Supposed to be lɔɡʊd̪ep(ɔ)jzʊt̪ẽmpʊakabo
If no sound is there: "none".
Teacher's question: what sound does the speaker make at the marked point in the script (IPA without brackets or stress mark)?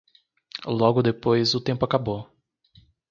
o